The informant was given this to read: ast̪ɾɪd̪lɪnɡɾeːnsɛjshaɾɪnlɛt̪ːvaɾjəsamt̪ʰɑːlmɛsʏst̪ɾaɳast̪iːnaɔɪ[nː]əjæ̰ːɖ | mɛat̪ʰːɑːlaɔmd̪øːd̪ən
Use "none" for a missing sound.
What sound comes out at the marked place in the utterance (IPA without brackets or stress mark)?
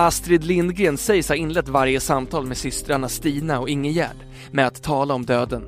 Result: ŋː